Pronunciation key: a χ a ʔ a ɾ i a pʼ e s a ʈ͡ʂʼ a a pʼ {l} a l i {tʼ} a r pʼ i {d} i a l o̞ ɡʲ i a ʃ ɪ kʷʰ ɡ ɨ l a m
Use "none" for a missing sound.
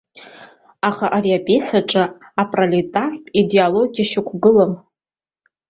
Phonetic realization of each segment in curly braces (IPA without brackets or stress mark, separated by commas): r, tʼ, d